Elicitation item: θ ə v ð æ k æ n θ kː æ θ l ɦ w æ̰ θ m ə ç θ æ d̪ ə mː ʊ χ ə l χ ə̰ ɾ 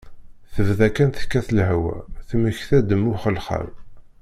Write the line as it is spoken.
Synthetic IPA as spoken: θ ə v ð æ k æ n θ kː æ θ l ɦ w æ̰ θ m ə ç θ æ d̪ ə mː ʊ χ ə l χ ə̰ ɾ